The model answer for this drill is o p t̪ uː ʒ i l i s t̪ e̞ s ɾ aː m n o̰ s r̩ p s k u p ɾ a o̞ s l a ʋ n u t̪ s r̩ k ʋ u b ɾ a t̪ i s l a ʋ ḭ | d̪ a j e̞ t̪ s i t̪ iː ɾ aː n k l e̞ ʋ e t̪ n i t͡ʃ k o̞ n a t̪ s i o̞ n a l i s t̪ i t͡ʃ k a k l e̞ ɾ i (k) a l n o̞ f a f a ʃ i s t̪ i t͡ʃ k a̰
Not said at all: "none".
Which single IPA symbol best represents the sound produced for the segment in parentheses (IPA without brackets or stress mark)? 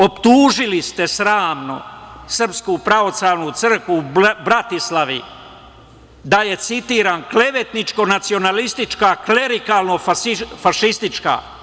k